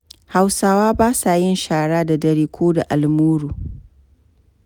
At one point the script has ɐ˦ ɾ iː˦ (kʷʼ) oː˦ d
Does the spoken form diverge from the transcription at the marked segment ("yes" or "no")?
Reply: yes